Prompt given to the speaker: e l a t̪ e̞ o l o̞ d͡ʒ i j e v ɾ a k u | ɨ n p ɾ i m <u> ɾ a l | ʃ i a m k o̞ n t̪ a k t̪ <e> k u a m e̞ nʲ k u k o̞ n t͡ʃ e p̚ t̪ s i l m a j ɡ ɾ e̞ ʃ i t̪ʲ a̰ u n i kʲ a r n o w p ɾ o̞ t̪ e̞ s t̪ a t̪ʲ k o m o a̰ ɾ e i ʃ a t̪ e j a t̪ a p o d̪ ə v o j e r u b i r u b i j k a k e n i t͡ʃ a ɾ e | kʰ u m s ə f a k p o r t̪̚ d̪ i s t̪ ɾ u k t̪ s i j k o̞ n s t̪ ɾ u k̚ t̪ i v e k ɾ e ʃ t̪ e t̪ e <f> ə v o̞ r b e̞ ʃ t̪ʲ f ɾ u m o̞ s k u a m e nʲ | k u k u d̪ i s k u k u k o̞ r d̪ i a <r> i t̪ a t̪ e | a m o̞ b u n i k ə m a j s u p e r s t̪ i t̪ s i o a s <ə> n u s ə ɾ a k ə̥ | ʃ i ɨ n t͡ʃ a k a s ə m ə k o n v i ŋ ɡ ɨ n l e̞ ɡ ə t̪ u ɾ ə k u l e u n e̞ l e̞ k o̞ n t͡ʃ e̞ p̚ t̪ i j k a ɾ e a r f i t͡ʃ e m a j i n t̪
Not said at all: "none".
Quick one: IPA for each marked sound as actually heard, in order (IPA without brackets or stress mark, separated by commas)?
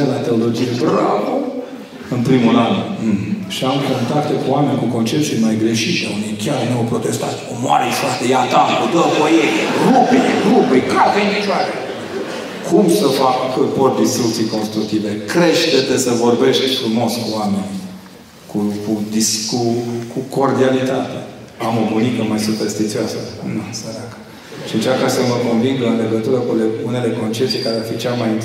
u, e, s, l, ə